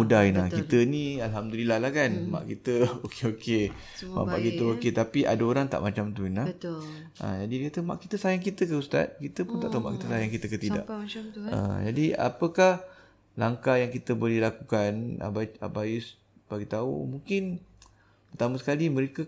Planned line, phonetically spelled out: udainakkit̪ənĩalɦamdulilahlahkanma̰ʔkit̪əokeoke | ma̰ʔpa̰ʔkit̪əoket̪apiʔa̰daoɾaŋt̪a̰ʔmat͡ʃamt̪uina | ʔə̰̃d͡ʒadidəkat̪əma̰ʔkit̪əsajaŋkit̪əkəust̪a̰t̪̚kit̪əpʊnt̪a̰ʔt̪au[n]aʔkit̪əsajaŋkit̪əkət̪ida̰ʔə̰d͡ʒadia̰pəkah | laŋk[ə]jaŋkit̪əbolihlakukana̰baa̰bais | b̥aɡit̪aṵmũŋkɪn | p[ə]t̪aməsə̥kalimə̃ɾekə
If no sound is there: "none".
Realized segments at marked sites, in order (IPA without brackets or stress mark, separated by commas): m, a, ə